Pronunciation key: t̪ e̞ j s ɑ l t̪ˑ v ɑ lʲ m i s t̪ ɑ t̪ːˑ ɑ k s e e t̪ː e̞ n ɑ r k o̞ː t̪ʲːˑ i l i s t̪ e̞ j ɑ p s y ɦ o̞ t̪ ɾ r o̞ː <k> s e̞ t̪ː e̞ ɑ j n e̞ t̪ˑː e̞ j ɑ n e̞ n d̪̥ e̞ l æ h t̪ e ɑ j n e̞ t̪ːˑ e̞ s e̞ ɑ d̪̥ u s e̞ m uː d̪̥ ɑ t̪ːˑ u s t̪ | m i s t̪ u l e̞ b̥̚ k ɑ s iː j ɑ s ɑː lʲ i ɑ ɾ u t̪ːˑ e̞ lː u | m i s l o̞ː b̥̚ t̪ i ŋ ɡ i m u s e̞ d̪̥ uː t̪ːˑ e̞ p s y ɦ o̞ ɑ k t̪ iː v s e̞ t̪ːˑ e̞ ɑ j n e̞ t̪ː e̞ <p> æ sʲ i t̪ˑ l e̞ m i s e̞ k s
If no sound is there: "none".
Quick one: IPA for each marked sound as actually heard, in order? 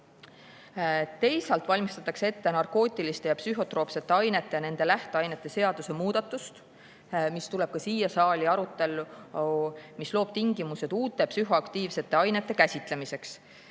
p, k

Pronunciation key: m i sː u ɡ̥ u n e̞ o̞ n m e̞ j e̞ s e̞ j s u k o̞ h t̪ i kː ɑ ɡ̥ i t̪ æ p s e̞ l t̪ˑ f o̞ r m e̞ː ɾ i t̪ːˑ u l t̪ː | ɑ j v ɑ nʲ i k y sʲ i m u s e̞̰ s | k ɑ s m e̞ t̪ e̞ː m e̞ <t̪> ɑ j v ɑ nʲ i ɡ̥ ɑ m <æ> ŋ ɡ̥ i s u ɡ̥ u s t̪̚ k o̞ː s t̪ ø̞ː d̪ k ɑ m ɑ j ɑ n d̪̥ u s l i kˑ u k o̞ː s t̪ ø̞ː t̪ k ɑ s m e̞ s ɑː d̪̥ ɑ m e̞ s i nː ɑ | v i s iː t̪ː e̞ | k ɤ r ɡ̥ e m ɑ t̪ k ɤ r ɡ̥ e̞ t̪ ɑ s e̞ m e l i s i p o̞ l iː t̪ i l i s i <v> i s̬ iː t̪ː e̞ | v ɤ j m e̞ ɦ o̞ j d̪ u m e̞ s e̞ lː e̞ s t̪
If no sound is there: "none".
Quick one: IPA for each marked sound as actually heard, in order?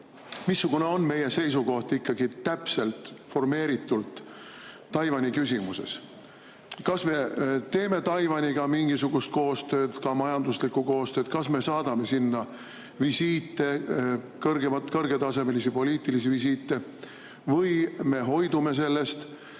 t̪, i, v

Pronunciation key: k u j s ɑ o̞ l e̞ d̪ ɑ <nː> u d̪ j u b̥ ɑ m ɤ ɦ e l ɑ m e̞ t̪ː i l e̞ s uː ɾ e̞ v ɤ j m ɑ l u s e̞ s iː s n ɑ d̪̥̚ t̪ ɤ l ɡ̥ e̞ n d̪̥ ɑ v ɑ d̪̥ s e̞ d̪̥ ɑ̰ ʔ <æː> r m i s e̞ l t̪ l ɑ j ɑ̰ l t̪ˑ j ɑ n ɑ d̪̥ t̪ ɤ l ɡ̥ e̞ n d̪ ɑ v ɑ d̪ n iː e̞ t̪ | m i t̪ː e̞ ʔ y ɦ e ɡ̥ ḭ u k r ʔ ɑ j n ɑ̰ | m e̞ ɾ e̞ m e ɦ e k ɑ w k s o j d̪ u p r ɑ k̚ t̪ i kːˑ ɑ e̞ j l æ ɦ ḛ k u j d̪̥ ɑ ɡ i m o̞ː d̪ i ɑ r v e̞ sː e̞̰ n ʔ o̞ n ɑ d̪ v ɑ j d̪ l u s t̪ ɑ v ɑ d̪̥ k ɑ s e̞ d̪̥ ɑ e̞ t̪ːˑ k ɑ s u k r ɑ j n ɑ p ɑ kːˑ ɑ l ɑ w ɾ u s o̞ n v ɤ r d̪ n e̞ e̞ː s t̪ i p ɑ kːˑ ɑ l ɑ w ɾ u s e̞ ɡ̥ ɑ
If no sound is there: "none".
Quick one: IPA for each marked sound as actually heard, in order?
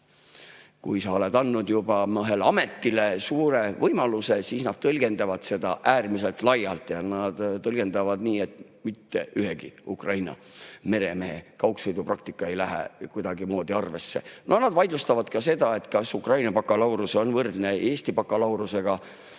nː, æː

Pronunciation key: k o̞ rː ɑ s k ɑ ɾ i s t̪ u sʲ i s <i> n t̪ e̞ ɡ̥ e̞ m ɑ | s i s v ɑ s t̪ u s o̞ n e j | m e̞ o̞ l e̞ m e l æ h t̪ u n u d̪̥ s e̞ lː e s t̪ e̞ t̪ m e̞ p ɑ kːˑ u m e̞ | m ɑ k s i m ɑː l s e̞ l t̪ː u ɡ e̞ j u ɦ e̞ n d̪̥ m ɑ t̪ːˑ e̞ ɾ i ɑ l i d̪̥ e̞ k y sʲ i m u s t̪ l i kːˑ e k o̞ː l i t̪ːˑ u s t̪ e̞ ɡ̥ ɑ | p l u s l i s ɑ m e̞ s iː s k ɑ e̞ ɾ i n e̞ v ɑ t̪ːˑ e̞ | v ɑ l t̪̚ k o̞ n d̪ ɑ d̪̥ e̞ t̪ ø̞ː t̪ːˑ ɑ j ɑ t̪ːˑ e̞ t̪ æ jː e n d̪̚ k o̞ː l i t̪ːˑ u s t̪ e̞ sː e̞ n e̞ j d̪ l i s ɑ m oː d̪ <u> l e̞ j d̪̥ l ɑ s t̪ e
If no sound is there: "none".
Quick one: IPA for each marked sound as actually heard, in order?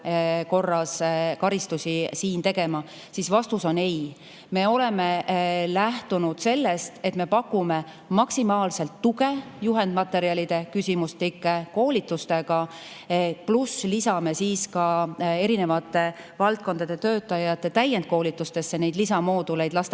iː, u

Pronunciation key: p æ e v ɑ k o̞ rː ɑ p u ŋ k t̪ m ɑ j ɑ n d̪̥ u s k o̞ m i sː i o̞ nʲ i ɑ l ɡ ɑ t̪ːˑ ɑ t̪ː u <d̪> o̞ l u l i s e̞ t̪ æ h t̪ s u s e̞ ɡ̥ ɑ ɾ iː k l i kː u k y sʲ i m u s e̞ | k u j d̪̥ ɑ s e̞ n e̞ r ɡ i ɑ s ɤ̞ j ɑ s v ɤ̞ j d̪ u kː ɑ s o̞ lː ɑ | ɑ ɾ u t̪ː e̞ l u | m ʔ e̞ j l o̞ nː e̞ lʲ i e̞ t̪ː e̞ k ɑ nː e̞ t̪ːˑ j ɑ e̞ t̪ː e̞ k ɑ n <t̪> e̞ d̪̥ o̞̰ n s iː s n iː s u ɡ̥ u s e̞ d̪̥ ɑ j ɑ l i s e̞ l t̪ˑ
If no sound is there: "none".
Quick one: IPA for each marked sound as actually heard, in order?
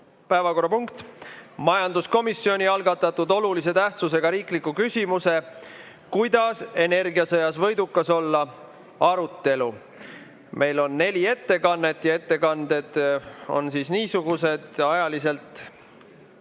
d̪, d̪

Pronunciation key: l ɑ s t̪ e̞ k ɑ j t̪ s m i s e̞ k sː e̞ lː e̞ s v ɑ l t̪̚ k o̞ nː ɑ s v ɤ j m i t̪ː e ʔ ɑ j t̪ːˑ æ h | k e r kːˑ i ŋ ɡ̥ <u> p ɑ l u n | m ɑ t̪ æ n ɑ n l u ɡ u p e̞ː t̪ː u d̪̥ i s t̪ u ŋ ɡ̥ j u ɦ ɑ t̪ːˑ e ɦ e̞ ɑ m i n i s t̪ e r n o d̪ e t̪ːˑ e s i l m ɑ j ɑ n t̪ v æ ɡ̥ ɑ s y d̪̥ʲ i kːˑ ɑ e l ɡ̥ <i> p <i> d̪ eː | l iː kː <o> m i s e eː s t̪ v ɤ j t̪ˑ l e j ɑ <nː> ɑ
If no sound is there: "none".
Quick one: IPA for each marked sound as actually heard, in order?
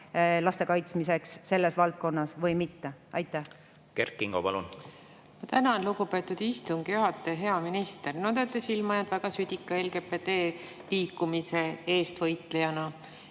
o, e, e, u, n

